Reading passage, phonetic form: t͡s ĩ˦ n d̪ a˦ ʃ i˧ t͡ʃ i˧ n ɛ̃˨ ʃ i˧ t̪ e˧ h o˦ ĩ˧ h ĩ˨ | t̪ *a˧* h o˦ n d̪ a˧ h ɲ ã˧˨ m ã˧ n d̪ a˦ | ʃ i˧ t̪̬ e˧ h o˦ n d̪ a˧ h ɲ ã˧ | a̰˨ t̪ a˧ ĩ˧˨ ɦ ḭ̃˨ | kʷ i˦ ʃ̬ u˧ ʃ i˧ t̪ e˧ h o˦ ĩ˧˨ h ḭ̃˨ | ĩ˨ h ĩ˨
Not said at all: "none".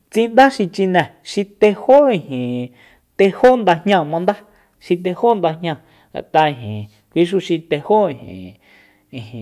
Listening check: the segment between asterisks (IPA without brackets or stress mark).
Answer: e˧